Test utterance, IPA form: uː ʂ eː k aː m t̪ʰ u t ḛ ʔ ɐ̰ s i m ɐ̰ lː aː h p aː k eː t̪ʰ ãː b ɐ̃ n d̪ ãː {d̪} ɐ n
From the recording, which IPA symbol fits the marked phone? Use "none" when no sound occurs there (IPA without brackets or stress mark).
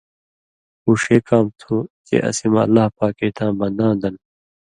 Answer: d̪